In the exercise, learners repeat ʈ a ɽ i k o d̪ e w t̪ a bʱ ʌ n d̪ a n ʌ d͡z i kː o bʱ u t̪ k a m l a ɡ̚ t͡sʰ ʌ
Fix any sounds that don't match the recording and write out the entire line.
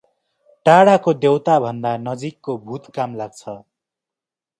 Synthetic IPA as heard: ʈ a ɽ a k o d̪ e w t̪ a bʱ ʌ n d̪ a n ʌ d͡z i kː o bʱ u t̪ k a m l a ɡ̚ t͡sʰ ʌ